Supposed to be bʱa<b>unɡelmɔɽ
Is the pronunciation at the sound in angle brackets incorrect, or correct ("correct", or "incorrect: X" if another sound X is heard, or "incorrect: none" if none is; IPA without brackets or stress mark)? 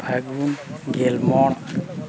incorrect: ɡ